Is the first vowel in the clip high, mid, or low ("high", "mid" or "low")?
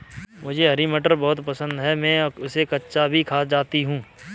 high